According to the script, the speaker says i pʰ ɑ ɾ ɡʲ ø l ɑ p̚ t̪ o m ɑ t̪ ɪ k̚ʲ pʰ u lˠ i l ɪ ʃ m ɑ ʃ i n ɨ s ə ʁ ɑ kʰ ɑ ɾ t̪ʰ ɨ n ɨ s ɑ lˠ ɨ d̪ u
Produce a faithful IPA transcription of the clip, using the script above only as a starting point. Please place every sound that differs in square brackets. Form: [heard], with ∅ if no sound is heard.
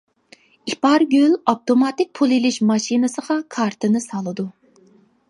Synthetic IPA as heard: i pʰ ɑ ɾ ɡʲ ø l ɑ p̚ t̪ o m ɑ t̪ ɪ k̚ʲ pʰ u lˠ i l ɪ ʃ m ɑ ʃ i n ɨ s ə ʁ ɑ kʰ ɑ ɾ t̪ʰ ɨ n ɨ s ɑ lˠ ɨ d̪ u